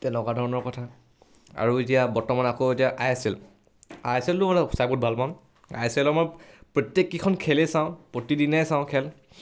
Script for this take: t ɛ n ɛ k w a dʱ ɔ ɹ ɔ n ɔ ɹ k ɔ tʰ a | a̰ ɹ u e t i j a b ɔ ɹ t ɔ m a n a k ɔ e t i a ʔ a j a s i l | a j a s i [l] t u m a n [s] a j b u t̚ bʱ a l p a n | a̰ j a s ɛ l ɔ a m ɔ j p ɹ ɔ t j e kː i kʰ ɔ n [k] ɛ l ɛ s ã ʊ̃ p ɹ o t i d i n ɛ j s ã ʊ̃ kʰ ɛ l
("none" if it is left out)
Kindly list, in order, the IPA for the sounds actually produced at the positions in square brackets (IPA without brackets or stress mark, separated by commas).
l, s, kʰ